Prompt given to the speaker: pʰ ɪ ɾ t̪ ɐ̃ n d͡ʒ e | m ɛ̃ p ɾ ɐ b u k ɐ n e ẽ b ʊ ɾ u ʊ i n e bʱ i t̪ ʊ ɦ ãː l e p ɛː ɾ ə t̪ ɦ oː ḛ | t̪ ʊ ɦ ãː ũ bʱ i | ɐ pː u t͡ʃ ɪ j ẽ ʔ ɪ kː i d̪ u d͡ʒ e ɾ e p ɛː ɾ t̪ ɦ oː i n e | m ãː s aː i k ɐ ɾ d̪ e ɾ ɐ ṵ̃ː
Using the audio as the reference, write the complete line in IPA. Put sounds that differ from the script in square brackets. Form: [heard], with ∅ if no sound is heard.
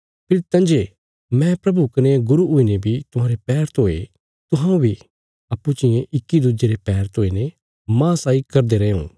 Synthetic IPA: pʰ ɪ ɾ t̪ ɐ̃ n d͡ʒ e | m ɛ̃ p ɾ ɐ b u k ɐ n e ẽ [ɡ] ʊ ɾ u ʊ i n e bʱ i t̪ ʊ ɦ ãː [ɾ] e p ɛː ɾ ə t̪ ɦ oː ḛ | t̪ ʊ ɦ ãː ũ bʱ i | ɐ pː u t͡ʃ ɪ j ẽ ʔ ɪ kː i d̪ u d͡ʒ e ɾ e p ɛː ɾ t̪ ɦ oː i n e | m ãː s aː i k ɐ ɾ d̪ e ɾ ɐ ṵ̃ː